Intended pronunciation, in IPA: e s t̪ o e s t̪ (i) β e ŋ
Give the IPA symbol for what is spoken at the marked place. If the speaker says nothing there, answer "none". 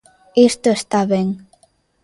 a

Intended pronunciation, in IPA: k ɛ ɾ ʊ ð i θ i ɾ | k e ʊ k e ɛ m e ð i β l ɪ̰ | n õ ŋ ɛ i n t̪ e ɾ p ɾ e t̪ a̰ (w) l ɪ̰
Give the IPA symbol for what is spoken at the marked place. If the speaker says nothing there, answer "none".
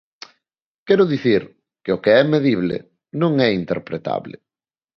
β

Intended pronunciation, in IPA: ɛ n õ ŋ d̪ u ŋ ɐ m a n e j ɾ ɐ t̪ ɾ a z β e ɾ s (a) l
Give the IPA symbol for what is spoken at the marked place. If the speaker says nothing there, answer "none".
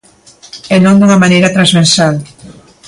a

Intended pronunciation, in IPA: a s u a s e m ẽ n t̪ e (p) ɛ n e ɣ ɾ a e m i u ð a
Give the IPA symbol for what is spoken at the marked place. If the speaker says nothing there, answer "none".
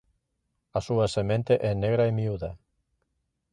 ʔ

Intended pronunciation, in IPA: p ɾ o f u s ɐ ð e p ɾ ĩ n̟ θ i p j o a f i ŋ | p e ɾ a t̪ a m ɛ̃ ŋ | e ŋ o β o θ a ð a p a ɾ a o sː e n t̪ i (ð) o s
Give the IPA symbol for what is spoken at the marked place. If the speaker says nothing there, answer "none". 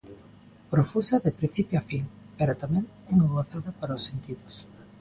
ð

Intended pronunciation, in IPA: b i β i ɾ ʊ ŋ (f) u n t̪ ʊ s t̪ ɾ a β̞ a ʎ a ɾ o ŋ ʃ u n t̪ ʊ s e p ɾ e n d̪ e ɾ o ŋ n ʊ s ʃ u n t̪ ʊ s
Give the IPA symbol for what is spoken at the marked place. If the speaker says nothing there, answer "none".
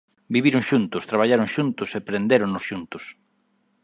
ʃ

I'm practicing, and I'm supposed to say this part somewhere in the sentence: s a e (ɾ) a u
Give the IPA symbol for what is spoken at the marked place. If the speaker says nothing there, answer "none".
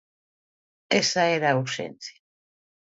ɾ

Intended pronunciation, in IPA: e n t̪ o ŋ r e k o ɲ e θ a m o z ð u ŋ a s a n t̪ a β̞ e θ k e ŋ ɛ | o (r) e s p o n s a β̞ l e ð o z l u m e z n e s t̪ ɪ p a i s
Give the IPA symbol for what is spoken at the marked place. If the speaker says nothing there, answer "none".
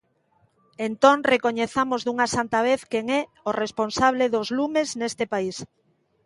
r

